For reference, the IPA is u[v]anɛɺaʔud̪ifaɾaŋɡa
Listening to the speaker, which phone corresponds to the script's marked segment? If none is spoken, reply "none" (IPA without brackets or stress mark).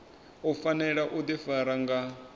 f